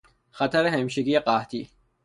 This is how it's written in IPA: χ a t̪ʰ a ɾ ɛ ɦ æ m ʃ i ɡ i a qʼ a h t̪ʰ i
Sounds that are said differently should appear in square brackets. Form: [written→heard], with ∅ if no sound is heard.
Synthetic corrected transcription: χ a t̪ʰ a ɾ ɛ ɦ [æ→ɛ] m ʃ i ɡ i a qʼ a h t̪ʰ i